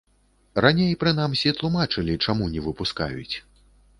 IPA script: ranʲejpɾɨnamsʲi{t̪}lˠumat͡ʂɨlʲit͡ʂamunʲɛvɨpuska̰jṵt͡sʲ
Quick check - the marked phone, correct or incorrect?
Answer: correct